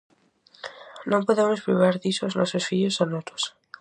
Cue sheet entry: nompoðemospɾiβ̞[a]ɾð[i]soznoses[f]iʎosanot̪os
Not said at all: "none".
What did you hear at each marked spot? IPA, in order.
a, i, f

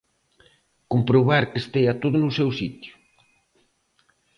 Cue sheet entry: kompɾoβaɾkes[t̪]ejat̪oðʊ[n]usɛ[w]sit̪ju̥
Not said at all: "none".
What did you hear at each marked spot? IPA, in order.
t̪, n, w

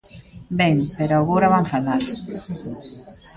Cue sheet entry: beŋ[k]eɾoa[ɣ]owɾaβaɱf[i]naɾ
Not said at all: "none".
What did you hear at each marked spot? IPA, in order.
p, ɣ, a

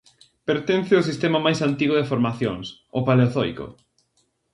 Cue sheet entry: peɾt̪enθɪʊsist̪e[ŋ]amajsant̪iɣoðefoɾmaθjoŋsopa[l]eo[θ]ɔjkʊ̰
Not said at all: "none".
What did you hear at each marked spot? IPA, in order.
m, l, θ

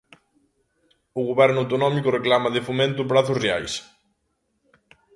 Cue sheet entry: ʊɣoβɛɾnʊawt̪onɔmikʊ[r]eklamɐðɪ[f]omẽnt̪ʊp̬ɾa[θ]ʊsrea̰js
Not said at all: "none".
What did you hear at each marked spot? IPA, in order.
r, f, θ

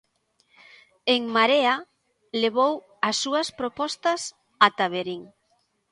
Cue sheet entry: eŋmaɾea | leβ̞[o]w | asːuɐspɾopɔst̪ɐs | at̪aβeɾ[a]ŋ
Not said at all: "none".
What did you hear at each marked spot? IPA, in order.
o, i

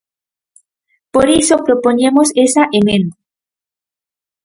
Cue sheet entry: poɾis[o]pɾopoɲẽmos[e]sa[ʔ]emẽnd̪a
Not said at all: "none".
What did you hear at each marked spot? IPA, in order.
o, e, ʔ

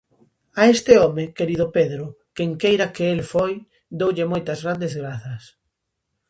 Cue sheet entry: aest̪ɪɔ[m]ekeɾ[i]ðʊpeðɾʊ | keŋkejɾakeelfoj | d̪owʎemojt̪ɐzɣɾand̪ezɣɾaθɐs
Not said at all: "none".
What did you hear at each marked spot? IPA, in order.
m, i

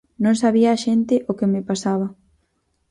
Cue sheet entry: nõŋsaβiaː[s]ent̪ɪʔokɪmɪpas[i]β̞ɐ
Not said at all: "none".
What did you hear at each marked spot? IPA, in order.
ʃ, a

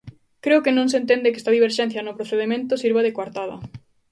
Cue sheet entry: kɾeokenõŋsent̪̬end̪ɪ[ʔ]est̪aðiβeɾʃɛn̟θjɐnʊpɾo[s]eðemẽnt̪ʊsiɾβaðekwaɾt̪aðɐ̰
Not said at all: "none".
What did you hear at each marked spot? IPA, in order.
k, θ

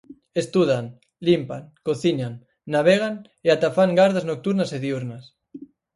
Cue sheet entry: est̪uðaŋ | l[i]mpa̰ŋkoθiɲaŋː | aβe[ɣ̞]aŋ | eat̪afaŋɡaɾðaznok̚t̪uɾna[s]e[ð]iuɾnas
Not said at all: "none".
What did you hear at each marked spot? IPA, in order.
i, ɣ̞, s, ð

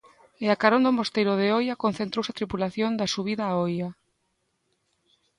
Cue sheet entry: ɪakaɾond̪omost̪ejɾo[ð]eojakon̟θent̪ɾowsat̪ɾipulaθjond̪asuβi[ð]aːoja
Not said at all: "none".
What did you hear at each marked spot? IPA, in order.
ð, ð

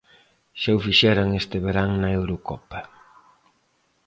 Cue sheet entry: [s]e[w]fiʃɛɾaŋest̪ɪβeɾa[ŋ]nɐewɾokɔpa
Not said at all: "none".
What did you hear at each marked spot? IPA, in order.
ʃ, w, ŋ

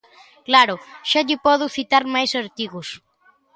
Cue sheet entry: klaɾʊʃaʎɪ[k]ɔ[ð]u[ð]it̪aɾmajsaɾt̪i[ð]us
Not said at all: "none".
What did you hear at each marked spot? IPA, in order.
p, ð, θ, ɣ

